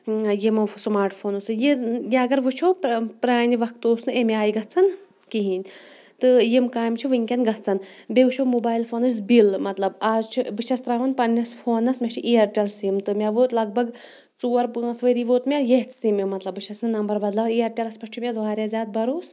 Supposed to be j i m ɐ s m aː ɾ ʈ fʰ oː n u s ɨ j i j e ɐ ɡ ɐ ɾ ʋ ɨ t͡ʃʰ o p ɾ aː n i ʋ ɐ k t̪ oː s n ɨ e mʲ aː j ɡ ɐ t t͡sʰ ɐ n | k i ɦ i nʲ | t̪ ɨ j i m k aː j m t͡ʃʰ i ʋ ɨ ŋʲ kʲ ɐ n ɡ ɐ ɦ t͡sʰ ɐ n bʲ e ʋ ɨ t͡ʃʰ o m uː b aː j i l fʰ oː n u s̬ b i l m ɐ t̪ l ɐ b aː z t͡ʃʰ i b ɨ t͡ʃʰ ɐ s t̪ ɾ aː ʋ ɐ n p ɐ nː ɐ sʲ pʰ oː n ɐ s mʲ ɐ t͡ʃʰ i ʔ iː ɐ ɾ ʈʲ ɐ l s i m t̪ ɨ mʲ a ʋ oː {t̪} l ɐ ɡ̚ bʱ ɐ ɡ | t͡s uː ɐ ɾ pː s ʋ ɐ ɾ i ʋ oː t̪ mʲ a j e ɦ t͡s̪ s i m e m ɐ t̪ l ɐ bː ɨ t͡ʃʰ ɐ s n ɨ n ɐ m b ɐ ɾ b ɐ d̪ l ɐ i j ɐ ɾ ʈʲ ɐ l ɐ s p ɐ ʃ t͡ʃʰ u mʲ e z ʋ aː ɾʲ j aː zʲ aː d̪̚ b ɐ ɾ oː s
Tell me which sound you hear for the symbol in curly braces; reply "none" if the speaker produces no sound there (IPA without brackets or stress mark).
t̪